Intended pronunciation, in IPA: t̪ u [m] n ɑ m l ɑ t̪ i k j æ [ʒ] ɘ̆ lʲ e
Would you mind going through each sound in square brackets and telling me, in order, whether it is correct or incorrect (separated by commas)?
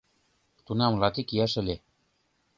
incorrect, incorrect